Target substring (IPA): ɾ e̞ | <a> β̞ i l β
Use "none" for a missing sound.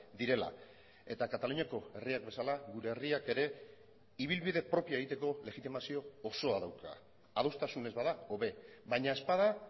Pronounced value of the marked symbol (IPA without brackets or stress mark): i